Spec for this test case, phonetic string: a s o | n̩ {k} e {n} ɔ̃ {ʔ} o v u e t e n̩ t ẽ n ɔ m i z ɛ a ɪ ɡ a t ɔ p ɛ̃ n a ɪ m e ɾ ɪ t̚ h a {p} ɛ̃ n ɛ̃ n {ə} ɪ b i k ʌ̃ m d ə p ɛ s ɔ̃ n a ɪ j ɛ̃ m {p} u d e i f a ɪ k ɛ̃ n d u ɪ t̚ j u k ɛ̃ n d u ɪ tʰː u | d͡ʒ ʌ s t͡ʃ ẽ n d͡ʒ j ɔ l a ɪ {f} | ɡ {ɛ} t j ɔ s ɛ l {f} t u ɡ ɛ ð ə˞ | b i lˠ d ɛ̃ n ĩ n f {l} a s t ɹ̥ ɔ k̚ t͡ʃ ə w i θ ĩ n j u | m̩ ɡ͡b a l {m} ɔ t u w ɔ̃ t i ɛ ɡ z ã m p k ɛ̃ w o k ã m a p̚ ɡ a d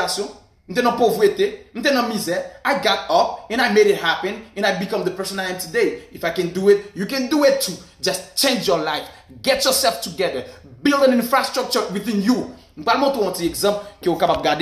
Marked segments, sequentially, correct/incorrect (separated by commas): incorrect, correct, incorrect, correct, incorrect, incorrect, correct, correct, correct, incorrect, correct